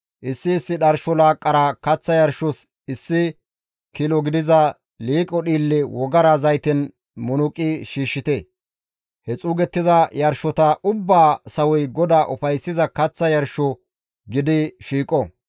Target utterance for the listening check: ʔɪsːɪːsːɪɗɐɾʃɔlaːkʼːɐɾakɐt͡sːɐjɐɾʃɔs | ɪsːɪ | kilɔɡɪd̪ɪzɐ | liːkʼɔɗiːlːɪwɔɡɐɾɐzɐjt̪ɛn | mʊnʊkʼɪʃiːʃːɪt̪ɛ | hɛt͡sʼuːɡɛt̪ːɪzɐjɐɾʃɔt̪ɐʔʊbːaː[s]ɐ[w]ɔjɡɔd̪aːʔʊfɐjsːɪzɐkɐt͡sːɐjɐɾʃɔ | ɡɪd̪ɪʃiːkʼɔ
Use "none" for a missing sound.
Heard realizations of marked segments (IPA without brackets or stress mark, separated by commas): s, w